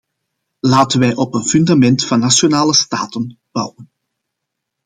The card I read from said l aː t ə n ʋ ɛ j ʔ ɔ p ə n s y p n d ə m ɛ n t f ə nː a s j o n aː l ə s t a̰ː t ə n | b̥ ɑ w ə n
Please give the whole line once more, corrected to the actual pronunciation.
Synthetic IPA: l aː t ə n ʋ ɛ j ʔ ɔ p ə n f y n d a m ɛ n t f ɑ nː a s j o n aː l ə s t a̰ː t ə n | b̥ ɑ w ə n